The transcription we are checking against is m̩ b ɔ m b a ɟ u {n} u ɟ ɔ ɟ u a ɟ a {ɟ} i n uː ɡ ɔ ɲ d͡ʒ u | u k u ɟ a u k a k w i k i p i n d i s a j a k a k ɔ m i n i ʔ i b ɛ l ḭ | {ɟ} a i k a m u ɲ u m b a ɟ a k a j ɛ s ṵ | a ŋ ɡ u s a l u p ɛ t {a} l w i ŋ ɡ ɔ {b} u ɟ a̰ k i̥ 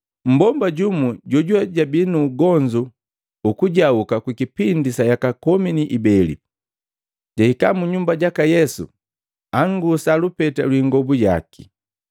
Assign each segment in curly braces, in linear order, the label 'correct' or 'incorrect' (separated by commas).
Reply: incorrect, incorrect, correct, correct, correct